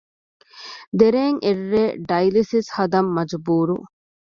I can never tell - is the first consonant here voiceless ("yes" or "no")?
no